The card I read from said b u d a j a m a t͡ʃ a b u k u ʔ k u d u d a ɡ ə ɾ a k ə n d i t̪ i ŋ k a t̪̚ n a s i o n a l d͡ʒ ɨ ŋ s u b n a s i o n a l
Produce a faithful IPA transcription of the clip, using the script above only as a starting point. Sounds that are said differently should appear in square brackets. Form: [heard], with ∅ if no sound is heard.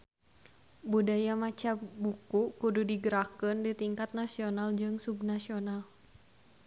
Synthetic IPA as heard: b u d a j a m a t͡ʃ a b u k u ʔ k u d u d [i] ɡ ə ɾ a k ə n d i t̪ i ŋ k a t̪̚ n a s i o n a l d͡ʒ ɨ ŋ s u b n a s i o n a l